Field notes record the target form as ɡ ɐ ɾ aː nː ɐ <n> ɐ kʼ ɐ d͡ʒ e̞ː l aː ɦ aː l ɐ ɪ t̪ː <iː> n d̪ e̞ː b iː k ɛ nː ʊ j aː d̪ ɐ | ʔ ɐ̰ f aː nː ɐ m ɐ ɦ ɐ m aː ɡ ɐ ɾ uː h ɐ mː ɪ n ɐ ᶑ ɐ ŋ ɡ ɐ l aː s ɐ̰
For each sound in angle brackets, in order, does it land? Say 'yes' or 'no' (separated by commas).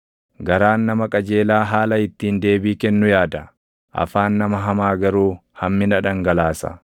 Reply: no, yes